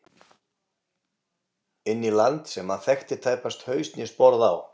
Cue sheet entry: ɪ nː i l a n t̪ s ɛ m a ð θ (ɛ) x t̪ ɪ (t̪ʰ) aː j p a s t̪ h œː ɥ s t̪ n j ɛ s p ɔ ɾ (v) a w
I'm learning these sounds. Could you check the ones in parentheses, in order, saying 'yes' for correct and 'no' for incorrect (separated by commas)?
yes, yes, no